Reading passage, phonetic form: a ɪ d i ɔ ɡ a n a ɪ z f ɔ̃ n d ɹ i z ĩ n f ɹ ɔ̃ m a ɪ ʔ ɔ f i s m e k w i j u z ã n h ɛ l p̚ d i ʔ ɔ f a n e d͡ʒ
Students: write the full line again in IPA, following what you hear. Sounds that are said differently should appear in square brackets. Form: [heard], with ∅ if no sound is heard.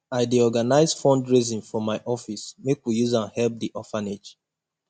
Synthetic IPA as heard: a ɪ d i ɔ ɡ a n a ɪ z f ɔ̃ n d ɹ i z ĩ n f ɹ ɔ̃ m a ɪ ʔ ɔ f i s m e k w i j u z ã n h ɛ l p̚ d i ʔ ɔ f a n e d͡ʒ